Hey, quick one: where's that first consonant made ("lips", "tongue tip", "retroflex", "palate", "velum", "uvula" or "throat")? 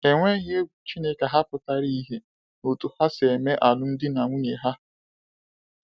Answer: velum